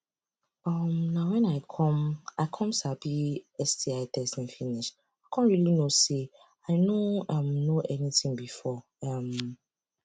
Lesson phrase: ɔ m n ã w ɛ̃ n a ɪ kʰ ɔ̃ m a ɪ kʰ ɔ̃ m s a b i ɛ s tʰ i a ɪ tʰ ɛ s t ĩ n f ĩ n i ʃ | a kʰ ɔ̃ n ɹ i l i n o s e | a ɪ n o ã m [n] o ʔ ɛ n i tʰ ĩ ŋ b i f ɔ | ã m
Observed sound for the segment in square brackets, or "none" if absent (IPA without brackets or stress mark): n